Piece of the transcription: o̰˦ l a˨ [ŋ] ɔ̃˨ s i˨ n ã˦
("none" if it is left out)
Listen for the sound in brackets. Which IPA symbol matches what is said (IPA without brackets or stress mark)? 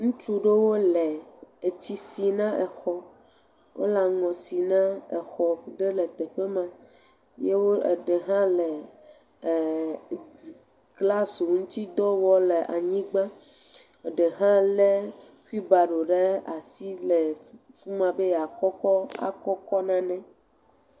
ŋ